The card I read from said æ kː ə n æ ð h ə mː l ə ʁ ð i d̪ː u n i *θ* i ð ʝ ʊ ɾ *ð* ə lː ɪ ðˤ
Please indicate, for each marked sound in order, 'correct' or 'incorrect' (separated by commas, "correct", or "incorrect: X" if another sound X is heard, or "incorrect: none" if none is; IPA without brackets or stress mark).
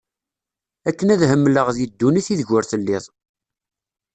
correct, incorrect: θ